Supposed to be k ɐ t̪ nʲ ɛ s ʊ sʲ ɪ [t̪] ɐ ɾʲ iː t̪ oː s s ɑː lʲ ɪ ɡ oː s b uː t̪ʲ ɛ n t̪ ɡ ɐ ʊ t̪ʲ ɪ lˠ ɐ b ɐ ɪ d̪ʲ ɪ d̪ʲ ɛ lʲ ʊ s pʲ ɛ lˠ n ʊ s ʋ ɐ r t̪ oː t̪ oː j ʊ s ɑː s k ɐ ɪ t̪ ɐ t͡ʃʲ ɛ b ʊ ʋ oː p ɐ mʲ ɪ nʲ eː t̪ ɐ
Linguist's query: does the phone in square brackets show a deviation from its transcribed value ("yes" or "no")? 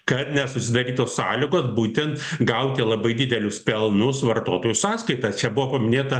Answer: yes